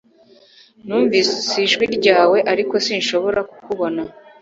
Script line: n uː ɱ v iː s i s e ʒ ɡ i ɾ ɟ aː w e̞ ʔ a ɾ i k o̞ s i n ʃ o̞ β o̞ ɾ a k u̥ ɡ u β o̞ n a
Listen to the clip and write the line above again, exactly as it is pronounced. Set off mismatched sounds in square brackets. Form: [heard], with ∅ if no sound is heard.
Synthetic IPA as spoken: n uː ɱ v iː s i s [i] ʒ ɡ i ɾ ɟ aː w e̞ ʔ a ɾ i k o̞ s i n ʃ o̞ β o̞ ɾ a k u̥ [k] u β o̞ n a